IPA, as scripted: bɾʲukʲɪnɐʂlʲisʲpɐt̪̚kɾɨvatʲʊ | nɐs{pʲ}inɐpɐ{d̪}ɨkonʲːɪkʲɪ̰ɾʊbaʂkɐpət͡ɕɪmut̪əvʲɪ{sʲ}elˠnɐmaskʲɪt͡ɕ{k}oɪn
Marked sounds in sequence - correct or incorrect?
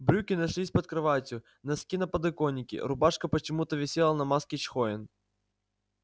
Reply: incorrect: kʲ, correct, correct, incorrect: x

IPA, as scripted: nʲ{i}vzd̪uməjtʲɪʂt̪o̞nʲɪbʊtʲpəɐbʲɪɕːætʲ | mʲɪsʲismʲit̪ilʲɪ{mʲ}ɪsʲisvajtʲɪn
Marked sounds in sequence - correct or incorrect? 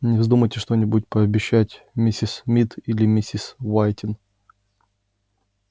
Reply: incorrect: ɪ, correct

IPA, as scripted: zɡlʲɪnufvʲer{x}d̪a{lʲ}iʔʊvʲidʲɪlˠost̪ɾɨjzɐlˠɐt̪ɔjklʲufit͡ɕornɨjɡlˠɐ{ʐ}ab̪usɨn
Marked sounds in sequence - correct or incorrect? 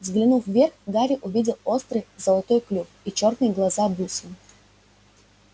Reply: correct, incorrect: ɾʲ, incorrect: z

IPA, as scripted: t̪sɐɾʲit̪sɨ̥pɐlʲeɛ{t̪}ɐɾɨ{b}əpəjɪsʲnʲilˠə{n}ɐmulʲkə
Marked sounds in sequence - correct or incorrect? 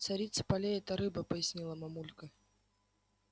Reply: correct, correct, incorrect: m

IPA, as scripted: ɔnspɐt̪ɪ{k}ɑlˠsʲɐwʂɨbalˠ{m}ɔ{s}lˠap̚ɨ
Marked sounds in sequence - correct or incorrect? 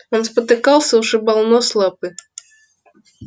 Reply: correct, incorrect: n, correct

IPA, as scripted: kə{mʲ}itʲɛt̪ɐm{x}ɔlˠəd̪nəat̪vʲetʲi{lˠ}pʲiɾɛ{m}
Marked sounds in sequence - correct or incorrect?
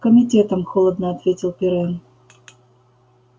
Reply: correct, correct, correct, incorrect: n

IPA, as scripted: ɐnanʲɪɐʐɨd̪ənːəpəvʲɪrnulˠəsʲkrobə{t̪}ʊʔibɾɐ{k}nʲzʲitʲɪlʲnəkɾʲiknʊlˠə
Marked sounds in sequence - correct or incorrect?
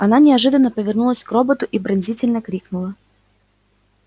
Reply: correct, incorrect: none

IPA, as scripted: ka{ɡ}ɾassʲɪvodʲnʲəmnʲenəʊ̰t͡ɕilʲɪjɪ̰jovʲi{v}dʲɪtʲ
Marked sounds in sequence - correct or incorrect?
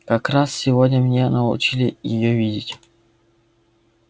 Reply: incorrect: k, incorrect: none

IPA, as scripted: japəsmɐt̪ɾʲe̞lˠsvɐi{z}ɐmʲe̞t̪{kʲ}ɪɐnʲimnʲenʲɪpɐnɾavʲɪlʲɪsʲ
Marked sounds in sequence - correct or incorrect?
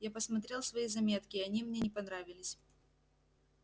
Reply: correct, correct

